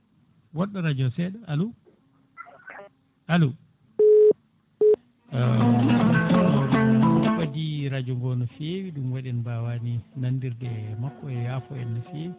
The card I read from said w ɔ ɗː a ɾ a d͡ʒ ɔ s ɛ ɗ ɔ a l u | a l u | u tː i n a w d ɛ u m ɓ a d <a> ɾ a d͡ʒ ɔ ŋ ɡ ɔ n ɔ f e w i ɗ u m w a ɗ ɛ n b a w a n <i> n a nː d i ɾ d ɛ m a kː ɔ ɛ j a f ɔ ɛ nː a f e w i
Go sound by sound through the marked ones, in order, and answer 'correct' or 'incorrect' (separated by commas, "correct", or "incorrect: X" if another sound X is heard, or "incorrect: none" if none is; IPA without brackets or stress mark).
incorrect: i, correct